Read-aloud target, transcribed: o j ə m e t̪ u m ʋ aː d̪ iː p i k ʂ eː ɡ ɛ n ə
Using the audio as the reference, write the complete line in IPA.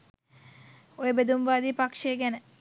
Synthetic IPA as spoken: o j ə b e d̪ u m ʋ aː d̪ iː p a k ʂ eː ɡ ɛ n ə